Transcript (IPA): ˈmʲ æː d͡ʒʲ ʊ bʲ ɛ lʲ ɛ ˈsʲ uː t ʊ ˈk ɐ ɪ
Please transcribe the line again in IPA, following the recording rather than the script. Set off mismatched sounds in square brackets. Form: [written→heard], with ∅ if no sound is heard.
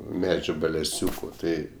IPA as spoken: ˈmʲ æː d͡ʒʲ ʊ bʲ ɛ lʲ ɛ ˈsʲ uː [t→k] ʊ [ˈk→ˈt] ɐ ɪ